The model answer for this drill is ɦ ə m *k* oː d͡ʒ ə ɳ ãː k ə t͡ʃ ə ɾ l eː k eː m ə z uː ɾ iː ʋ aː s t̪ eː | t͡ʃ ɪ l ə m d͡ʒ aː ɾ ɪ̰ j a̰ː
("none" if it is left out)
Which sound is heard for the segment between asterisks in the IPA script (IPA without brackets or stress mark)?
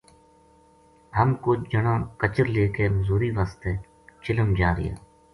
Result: k